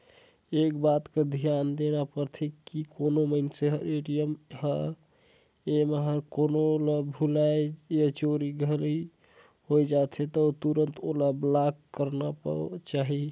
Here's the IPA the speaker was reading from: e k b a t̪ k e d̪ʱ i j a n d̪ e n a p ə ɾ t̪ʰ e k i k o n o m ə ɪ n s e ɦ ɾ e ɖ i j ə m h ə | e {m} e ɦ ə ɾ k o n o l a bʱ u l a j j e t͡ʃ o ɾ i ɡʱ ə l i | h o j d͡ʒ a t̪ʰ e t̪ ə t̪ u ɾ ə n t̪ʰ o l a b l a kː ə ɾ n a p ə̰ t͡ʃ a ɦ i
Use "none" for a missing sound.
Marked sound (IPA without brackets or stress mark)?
m